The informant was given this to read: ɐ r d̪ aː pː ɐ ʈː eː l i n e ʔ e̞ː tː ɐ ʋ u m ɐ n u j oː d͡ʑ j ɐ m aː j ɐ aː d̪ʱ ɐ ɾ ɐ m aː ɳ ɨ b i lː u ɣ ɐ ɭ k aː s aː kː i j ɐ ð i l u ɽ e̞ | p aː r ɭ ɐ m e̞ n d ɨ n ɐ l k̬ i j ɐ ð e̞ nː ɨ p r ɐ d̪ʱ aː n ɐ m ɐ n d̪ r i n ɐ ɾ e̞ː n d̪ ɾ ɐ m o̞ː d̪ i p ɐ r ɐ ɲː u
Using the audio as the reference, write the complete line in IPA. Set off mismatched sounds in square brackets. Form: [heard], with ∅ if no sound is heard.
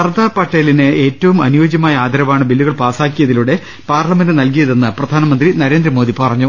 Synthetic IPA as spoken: ɐ r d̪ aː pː ɐ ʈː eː l i n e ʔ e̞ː tː ɐ ʋ u m ɐ n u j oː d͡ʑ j ɐ m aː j ɐ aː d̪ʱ ɐ ɾ ɐ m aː ɳ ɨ b i lː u ɣ ɐ ɭ [p] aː s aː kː i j ɐ ð i l u ɽ e̞ | p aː r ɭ ɐ m e̞ n d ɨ n ɐ l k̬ i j ɐ ð e̞ nː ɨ p r ɐ d̪ʱ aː n ɐ m ɐ n d̪ r i n ɐ ɾ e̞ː n d̪ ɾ ɐ m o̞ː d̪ i p ɐ r ɐ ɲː u